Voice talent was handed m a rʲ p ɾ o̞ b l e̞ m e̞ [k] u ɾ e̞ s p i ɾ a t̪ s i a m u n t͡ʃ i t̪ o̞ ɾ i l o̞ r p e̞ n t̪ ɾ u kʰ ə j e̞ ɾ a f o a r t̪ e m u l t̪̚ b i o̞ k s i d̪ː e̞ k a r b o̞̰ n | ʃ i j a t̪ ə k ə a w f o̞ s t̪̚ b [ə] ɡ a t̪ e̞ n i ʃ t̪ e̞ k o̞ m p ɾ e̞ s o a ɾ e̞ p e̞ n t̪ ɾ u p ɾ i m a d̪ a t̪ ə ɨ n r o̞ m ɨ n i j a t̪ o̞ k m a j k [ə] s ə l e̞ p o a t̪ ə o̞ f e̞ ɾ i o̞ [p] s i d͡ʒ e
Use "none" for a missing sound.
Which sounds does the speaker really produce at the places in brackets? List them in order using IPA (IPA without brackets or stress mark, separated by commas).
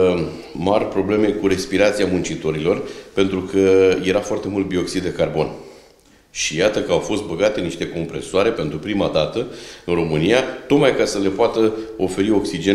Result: k, ə, a, k